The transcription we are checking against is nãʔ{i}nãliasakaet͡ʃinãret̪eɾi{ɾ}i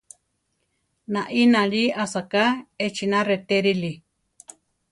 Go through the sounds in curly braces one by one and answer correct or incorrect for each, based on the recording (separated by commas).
correct, incorrect